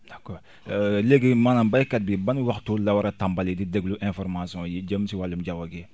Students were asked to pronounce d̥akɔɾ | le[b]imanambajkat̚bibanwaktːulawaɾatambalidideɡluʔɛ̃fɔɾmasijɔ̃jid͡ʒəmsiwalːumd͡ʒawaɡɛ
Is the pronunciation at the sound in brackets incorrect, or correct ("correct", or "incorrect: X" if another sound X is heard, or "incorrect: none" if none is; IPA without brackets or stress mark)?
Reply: incorrect: ɡ